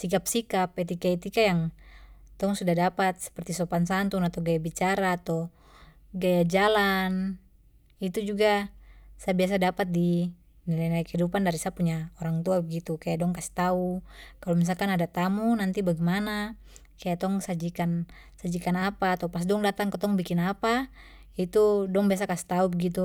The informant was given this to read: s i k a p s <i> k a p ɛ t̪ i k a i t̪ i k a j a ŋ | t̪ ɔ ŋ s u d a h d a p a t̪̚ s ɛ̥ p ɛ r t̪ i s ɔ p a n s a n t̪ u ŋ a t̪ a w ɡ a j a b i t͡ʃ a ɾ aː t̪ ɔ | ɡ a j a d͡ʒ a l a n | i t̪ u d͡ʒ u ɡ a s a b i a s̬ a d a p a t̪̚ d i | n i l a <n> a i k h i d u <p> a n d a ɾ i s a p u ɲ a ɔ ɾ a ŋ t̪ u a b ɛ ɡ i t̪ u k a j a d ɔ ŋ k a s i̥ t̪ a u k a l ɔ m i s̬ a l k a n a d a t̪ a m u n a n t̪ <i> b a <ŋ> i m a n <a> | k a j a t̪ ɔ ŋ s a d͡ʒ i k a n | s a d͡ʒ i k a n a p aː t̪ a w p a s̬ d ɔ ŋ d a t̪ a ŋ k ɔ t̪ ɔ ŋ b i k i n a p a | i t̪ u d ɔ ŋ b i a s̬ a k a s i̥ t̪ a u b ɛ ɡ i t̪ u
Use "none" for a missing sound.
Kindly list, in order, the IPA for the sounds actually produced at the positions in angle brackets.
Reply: i, n, p, i, ɡ, a

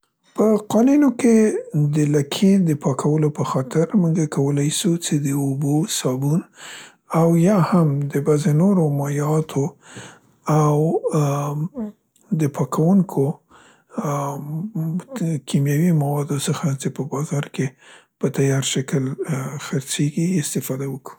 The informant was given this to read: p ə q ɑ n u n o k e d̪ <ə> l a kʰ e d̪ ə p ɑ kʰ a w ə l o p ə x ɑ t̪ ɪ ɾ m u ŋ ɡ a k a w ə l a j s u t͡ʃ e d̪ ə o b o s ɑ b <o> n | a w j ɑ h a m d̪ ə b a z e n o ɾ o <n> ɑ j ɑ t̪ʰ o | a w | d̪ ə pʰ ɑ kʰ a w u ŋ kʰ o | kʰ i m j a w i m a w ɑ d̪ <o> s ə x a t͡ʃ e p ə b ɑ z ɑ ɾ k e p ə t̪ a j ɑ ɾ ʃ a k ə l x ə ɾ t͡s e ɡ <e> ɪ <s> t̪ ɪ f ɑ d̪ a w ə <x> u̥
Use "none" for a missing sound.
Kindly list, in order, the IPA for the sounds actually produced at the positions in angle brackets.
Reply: ə, u, m, o, i, s, k

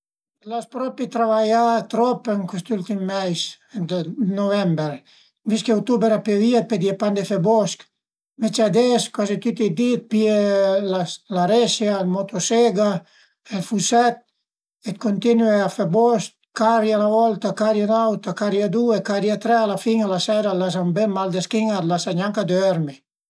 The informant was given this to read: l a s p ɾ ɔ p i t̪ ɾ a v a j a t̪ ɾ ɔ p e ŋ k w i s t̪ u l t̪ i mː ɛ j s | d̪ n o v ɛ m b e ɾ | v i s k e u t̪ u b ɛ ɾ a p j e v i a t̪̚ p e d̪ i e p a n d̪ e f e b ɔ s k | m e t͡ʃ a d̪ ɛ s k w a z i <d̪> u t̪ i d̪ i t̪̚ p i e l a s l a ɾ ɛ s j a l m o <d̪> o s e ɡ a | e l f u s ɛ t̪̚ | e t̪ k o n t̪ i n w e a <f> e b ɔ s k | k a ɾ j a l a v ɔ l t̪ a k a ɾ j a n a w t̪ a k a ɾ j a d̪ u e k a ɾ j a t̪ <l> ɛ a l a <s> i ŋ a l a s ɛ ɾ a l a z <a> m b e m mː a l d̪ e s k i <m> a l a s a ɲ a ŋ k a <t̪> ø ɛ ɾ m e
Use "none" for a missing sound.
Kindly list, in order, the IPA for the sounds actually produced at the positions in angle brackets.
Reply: t̪, t̪, f, ɾ, f, a, ŋ, d̪

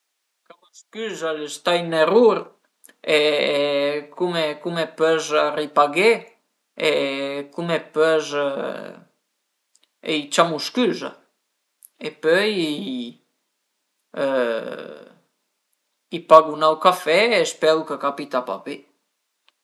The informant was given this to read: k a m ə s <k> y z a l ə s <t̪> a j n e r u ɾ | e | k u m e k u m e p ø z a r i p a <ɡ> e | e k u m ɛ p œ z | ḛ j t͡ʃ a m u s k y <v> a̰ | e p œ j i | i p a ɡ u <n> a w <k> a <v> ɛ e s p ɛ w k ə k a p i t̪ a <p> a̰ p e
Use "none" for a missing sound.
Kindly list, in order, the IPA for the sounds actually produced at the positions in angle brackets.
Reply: k, t̪, ɡ, z, n, k, f, p

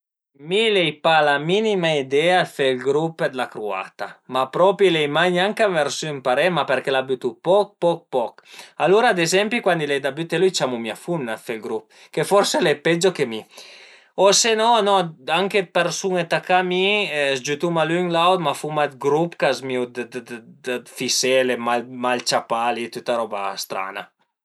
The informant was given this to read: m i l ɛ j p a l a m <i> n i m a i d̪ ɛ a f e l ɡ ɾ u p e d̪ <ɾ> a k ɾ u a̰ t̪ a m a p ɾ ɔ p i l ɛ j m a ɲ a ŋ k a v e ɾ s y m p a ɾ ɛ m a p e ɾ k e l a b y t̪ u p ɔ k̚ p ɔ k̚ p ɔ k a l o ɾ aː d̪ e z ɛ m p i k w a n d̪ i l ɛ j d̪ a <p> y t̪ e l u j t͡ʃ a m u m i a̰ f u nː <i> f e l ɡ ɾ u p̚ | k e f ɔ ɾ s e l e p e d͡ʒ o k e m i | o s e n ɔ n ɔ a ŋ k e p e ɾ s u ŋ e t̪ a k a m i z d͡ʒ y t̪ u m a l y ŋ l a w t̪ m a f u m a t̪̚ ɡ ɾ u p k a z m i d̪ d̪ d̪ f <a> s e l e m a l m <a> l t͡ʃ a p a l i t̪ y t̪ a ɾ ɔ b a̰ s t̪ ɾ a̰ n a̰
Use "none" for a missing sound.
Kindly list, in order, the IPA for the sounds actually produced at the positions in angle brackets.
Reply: i, l, b, a, i, a

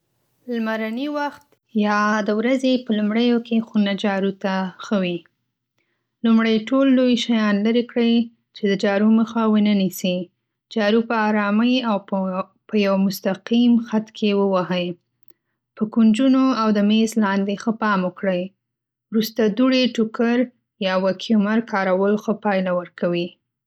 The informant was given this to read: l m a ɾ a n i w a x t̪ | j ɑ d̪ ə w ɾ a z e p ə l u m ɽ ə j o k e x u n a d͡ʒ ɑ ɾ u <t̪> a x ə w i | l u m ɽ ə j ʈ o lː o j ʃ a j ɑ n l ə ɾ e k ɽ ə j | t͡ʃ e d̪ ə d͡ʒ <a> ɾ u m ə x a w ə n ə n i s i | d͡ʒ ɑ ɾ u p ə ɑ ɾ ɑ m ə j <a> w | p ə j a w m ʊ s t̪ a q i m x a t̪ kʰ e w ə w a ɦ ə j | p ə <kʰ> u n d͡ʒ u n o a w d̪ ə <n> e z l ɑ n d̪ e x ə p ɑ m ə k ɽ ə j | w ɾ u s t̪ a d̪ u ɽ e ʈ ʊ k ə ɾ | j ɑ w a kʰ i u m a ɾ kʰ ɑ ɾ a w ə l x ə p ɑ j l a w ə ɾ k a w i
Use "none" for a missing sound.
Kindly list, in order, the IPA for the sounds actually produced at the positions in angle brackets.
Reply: t̪, ɑ, a, k, m

